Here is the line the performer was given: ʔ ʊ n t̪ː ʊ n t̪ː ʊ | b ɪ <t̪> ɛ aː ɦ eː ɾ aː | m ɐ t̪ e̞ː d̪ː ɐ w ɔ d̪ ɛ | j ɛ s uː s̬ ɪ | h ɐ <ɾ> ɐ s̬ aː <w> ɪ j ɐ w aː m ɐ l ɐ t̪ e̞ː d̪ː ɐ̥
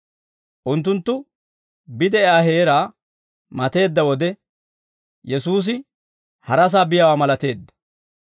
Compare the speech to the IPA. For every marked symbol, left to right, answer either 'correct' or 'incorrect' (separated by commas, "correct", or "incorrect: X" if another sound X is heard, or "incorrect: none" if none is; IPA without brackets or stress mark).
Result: incorrect: d̪, correct, incorrect: b